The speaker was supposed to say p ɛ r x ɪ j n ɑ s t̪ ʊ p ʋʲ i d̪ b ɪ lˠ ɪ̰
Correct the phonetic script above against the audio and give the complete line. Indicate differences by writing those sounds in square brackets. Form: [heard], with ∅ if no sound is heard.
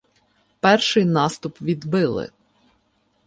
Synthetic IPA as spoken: p ɛ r [ʃ] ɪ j n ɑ s t̪ ʊ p ʋʲ i d̪ b ɪ lˠ ɪ̰